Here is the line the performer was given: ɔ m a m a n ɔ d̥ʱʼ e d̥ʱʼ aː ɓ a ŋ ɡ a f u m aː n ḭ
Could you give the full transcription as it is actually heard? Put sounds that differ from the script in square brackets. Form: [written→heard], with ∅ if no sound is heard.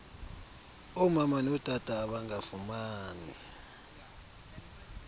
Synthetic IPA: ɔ m a m a n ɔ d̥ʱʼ [e→a] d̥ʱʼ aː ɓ a ŋ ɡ a f u m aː n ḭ